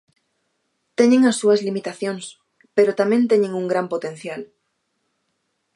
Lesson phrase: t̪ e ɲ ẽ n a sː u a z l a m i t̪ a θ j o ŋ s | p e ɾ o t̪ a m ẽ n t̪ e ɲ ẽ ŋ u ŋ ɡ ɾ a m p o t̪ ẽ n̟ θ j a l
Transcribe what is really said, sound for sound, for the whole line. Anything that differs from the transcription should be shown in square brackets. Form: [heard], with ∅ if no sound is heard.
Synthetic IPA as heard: t̪ e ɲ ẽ [ŋ] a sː u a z l [i] m i t̪ a θ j o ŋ s | p e ɾ o t̪ a m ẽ n t̪ e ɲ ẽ ŋ u ŋ ɡ ɾ a m p o t̪ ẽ n̟ θ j a l